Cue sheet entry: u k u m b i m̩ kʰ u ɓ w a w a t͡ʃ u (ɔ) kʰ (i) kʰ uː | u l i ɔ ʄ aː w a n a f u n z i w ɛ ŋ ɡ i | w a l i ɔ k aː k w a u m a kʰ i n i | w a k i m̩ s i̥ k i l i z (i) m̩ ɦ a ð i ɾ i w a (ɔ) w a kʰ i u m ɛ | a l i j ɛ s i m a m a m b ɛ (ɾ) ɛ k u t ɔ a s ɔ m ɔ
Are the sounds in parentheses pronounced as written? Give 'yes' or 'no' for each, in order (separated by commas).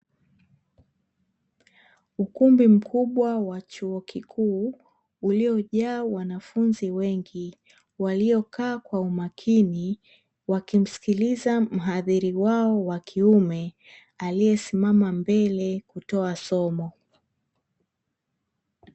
yes, yes, no, yes, no